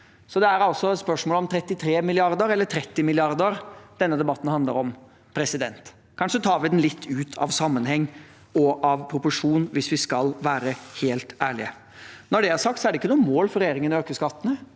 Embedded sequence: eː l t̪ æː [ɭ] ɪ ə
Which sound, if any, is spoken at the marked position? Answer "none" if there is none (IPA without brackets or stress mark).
ɭ